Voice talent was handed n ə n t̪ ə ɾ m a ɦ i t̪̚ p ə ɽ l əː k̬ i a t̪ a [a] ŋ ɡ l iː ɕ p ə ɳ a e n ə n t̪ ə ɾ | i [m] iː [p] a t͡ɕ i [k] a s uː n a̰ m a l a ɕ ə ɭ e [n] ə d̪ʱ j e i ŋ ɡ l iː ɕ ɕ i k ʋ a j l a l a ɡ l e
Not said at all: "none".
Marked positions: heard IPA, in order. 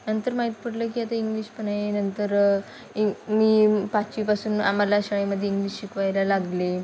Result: i, m, p, p, m

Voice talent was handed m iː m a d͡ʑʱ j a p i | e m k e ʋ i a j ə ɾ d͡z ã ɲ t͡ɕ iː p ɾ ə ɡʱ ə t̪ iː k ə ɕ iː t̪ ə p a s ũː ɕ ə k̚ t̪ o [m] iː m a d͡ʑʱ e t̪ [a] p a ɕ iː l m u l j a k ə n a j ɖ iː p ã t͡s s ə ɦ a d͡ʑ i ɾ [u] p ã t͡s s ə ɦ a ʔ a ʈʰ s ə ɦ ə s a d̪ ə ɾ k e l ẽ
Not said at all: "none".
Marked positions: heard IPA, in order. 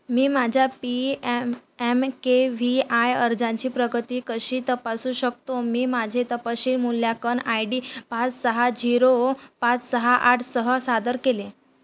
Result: m, ə, o

